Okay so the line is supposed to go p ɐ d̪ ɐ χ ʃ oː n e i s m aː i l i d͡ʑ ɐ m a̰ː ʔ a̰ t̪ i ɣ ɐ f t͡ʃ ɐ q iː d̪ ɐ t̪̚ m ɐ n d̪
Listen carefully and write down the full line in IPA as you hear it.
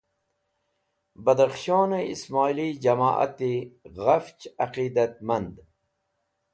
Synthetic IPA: b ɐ d̪ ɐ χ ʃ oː n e i s m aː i l i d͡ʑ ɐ m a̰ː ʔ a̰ t̪ i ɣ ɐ f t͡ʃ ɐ q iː d̪ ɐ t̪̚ m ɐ n d̪

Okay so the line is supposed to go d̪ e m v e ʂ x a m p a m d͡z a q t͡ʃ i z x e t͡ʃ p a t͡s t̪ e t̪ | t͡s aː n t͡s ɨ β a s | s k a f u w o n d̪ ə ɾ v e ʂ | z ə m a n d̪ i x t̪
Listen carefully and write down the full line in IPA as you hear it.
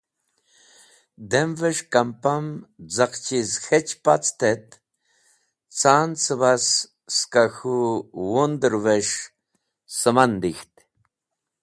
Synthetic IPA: d̪ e m v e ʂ k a m p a m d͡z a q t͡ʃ i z x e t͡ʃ p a t͡s t̪ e t̪ | t͡s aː n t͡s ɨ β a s | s k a x u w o n d̪ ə ɾ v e ʂ | s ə m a n d̪ i x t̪

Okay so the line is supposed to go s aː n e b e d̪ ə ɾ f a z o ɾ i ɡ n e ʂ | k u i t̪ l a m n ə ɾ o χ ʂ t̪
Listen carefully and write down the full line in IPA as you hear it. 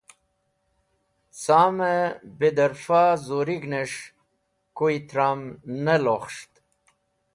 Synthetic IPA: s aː m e b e d̪ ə ɾ f a z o ɾ i ɡ n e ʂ | k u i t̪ ɾ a m n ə l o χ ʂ t̪

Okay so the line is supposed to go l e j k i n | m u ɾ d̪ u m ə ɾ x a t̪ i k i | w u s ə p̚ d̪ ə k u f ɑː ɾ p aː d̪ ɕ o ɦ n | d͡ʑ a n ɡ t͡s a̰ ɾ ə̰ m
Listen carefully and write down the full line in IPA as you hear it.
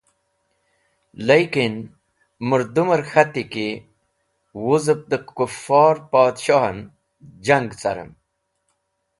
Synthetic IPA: l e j k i n | m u ɾ d̪ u m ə ɾ x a t̪ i k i | w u z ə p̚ d̪ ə k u f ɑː ɾ p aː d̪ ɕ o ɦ n | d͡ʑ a ŋ ɡ t͡s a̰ ɾ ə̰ m

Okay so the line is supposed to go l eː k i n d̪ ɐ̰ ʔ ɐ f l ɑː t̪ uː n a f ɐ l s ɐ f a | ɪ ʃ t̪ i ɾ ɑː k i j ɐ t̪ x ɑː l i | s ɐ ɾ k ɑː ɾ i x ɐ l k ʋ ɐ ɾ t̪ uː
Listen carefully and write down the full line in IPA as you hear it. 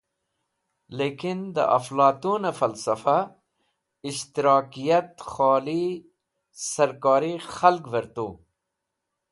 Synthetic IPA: l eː k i n d̪ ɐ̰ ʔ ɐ f l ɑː t̪ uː n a f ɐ l s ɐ f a | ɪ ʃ t̪ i ɾ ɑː k i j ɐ t̪ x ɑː l i | s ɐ ɾ k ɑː ɾ i x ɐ l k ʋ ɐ ɾ t̪ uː

